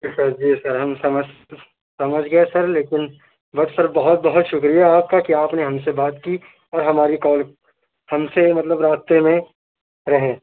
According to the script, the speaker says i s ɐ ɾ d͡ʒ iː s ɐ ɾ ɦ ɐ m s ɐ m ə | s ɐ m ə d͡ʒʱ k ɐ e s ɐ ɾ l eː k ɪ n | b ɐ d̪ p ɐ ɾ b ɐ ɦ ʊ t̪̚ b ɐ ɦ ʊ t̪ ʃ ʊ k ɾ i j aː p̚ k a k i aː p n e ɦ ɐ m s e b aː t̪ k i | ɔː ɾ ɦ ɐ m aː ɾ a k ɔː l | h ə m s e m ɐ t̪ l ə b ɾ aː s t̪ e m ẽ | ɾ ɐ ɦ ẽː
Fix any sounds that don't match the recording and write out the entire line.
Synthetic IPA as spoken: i s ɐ ɾ d͡ʒ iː s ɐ ɾ ɦ ɐ m s ɐ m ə | s ɐ m ə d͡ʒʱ ɡ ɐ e s ɐ ɾ l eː k ɪ n | b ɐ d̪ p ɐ ɾ b ɐ ɦ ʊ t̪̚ b ɐ ɦ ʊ t̪ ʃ ʊ k ɾ i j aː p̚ k a k i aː p n e ɦ ɐ m s e b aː t̪ k i | ɔː ɾ ɦ ɐ m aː ɾ i k ɔː l | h ɐ m s e m ɐ t̪ l ə b ɾ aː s t̪ e m ẽ | ɾ ɐ ɦ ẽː